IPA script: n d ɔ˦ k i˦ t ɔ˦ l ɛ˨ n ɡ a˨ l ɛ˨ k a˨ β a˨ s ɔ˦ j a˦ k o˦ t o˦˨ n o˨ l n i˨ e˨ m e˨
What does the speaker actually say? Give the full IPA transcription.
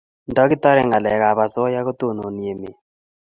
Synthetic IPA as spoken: n d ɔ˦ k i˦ t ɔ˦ ɾ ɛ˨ ŋ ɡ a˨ l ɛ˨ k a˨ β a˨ s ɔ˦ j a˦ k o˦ t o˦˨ n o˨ n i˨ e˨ m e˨